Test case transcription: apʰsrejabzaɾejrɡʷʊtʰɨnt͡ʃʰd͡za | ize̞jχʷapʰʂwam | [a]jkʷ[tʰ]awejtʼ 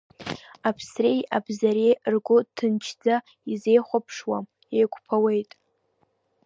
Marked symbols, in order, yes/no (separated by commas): no, no